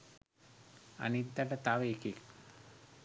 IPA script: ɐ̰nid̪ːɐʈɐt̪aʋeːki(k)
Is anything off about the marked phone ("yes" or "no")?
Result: no